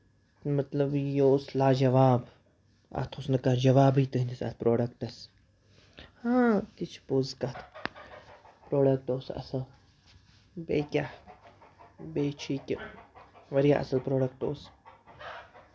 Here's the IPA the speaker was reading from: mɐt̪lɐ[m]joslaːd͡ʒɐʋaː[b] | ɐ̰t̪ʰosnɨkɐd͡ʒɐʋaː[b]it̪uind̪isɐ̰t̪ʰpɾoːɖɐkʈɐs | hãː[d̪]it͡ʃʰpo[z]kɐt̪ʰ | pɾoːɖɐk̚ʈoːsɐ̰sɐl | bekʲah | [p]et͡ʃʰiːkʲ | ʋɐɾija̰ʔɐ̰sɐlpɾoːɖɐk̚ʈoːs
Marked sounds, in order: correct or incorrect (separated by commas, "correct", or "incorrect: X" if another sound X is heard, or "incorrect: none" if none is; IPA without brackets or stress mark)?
incorrect: b, correct, correct, incorrect: t̪, correct, incorrect: b